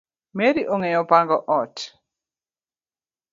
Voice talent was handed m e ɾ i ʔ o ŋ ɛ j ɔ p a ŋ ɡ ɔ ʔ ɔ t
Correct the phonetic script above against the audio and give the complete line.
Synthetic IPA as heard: m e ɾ i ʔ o ŋ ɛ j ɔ p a ŋ ɡ ɔ ʔ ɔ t